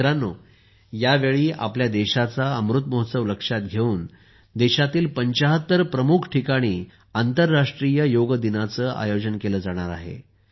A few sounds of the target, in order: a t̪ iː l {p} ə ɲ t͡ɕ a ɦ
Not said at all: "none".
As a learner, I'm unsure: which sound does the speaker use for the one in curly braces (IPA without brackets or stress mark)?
p